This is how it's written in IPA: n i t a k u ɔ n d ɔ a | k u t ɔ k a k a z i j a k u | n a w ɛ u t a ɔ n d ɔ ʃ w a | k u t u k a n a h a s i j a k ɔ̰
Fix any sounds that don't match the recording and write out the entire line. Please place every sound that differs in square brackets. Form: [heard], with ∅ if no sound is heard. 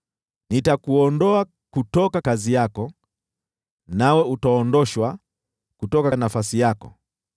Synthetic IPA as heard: n i t a k u ɔ n d ɔ a | k u t ɔ k a k a z i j a k [ɔ] | n a w ɛ u t a ɔ n d ɔ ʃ w a | k u t [ɔ] k a n a [f] a s i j a k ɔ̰